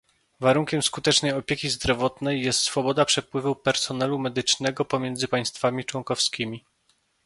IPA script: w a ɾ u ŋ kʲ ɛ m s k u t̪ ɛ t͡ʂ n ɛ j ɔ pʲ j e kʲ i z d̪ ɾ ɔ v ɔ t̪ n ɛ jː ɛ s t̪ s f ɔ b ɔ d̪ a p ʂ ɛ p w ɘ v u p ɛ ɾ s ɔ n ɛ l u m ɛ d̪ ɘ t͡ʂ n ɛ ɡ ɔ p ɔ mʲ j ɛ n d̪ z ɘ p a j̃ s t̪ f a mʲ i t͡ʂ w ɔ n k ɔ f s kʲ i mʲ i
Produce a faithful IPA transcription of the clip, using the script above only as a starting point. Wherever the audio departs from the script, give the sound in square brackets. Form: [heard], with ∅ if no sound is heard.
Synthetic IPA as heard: [v] a ɾ u ŋ kʲ ɛ m s k u t̪ ɛ t͡ʂ n ɛ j ɔ pʲ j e kʲ i z d̪ ɾ ɔ v ɔ t̪ n ɛ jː ɛ s t̪ s f ɔ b ɔ d̪ a p ʂ ɛ p w ɘ v u p ɛ ɾ s ɔ n ɛ l u m ɛ d̪ ɘ t͡ʂ n ɛ ɡ ɔ p ɔ mʲ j ɛ n d̪ z ɘ p a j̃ s t̪ f a mʲ i t͡ʂ w ɔ [ŋ] k ɔ f s kʲ i mʲ i